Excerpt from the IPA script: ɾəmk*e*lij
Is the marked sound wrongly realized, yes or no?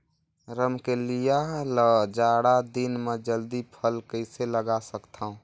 no